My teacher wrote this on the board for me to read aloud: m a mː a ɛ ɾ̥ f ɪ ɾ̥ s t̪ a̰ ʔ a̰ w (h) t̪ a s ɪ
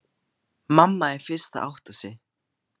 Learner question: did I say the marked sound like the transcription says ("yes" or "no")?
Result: yes